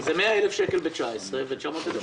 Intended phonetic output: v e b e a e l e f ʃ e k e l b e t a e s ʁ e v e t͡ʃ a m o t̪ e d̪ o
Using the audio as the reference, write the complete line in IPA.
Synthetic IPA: z e m e a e l e f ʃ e k e l b e t͡ʃ a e s ʁ e v e t͡ʃ a m o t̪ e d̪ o